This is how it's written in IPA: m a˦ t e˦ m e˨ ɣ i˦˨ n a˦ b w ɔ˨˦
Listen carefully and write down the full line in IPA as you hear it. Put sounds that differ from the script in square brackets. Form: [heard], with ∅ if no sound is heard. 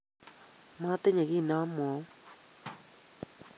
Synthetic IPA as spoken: m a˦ t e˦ [ɲ] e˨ ɣ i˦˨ n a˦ [m] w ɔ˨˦